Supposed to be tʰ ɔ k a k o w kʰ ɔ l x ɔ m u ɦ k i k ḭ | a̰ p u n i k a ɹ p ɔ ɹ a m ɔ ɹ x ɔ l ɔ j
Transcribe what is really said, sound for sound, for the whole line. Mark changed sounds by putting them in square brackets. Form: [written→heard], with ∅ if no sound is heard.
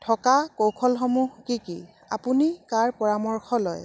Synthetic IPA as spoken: tʰ ɔ k a k o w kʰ ɔ l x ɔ m u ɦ k i k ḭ | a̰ p u n i k a ɹ p ɔ ɹ a m ɔ ɹ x ɔ l ɔ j